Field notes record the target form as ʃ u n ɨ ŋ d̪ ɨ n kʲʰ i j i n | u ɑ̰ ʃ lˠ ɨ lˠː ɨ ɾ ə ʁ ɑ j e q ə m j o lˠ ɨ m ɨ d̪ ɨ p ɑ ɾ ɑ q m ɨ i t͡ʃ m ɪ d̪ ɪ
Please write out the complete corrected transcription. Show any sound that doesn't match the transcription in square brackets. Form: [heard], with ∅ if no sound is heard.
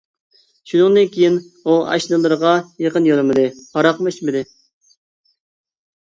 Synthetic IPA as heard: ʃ u n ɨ ŋ d̪ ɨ n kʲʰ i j i n | u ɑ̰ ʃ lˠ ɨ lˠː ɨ ɾ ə ʁ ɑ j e q ə [n] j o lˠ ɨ m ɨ d̪ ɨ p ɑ ɾ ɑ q m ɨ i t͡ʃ m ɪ d̪ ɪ